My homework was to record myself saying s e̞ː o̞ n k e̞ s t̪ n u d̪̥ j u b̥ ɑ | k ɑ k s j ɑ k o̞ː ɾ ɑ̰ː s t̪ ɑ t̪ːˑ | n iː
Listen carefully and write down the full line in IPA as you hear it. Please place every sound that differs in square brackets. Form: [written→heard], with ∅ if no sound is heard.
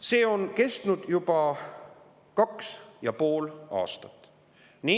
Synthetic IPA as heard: s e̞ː o̞ n k e̞ s t̪ n u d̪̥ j u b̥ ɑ | k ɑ k s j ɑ [k→p] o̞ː [ɾ→l] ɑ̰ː s t̪ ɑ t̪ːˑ | n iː